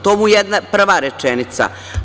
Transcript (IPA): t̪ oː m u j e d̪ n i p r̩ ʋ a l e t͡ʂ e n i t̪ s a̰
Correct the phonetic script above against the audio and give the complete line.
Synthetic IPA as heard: t̪ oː m u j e d̪ n a p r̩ ʋ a ɾ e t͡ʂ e n i t̪ s a̰